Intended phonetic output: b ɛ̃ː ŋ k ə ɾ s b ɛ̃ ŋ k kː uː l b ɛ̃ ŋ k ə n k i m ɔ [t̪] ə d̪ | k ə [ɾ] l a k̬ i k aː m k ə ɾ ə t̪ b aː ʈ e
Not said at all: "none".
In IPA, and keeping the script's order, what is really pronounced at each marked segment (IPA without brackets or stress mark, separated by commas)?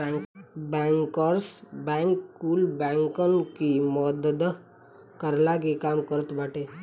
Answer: d̪, ɾ